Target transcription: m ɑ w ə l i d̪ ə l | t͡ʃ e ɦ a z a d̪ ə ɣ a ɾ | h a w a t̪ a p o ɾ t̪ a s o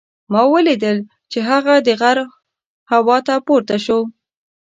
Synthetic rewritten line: m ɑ w ə l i d̪ ə l | t͡ʃ e ɦ a ɣ a d̪ ə ɣ a ɾ | h a w ɑ t̪ a p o ɾ t̪ a ʃ o

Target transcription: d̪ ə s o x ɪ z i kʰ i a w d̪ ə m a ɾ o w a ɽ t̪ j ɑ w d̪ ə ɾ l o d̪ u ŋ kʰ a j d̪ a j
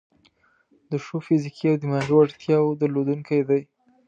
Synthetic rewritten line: d̪ ə ʃ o f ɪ z i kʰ i a w d̪ ə m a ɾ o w a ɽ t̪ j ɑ w d̪ ə l o d̪ u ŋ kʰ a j d̪ a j

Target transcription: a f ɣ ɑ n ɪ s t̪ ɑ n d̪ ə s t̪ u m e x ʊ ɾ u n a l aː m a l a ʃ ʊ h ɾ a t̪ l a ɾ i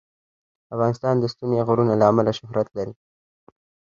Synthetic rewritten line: a f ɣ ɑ n ɪ s t̪ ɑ n d̪ ə s t̪ u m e ɣ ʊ ɾ u n a l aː m a l a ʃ ʊ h ɾ a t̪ l a ɾ i

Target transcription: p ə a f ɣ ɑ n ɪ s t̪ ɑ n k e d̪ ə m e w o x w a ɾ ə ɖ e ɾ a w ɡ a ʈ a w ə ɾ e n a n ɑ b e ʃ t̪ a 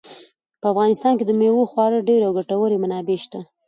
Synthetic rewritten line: p ə a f ɣ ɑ n ɪ s t̪ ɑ n k e d̪ ə m e w o x w ɑ ɾ ə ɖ e ɾ a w ɡ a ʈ a w ə ɾ e m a n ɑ b e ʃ t̪ a

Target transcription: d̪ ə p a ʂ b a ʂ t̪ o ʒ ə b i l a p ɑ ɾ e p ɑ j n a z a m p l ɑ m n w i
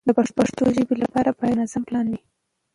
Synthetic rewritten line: d̪ ə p a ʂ p a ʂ t̪ o ʒ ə b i l a p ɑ ɾ a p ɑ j n a z a m p l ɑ n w i

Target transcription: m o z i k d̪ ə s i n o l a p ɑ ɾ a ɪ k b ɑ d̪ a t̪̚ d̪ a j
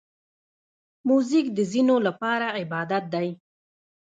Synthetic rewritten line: m u z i k d̪ ə z i n o l a p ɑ ɾ a ɪ b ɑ d̪ a t̪̚ d̪ a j

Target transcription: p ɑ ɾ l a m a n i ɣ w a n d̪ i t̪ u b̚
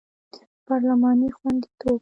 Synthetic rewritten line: p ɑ ɾ l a m ɑ n i x w a n d̪ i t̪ o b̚

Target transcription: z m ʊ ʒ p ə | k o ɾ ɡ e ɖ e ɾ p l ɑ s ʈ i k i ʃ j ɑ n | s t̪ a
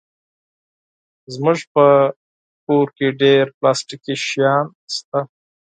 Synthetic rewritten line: z m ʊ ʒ p ə | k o ɾ k e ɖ e ɾ p l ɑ s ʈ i k i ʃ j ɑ n | s t̪ a

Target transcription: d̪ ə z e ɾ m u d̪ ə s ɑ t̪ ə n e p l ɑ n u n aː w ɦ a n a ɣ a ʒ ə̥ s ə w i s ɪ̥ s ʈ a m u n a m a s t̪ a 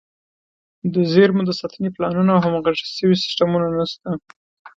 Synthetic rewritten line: d̪ ə z e ɾ m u d̪ ə s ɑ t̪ ə n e p l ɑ n u n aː w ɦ a m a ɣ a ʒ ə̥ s ə w i s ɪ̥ s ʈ a m u n a n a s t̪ a

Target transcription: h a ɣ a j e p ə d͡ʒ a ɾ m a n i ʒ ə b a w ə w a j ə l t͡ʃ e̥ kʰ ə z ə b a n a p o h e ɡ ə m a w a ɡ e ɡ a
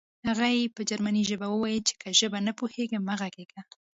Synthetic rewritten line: h a ɣ a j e p ə d͡ʒ a ɾ m a n i ʒ ə b a w ə w a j ə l t͡ʃ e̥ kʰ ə ʒ ə b a n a p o h e ɡ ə m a ɣ a ɡ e ɡ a

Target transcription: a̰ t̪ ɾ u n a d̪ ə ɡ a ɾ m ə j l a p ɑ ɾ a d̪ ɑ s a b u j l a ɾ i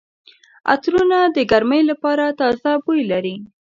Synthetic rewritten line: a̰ t̪ ɾ u n a d̪ ə ɡ a ɾ m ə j l a p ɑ ɾ a t̪ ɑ z a b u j l a ɾ i

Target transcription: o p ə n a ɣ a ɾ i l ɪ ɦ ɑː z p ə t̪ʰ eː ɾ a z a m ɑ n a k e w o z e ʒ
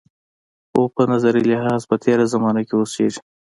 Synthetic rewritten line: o p ə n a z a ɾ i l ɪ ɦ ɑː z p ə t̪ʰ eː ɾ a z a m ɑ n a k e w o s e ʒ

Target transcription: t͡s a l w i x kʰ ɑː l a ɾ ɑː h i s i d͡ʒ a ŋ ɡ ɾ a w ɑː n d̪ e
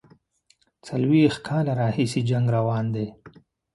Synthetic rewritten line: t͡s a l w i x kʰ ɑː l a ɾ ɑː h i s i d͡ʒ a ŋ ɡ ɾ a w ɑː n d̪ e

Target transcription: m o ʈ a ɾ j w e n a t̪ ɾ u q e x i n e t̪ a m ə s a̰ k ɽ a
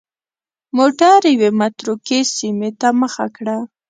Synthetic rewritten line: m o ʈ a ɾ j w e m a t̪ ɾ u k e s i m e t̪ a m ə x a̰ k ɽ a

